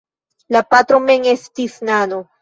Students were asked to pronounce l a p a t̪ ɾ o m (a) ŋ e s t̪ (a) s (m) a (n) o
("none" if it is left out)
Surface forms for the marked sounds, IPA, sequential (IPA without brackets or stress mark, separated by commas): e, i, n, n